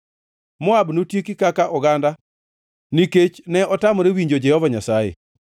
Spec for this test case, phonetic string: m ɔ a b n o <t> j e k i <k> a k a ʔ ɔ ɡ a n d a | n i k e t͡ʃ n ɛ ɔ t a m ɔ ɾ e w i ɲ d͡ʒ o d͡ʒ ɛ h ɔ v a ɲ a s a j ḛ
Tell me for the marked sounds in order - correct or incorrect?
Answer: correct, correct

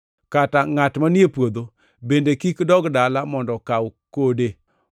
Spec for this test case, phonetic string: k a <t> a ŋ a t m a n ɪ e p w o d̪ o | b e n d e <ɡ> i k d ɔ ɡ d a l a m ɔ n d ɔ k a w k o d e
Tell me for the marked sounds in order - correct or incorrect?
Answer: correct, incorrect

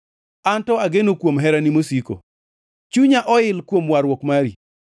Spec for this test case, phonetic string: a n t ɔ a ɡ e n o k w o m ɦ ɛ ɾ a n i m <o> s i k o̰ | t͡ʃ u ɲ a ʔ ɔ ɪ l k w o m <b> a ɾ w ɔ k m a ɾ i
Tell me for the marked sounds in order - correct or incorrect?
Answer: correct, incorrect

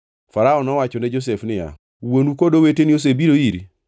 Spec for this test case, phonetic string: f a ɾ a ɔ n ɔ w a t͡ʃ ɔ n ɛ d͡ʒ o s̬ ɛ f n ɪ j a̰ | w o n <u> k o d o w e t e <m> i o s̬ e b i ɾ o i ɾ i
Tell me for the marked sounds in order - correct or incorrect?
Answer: correct, incorrect

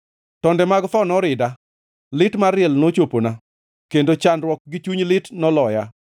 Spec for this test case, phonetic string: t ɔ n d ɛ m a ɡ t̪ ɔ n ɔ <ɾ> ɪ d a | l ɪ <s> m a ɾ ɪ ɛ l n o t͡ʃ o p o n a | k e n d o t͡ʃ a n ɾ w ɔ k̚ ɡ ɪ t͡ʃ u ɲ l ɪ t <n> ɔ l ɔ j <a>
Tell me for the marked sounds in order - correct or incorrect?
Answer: correct, incorrect, correct, correct

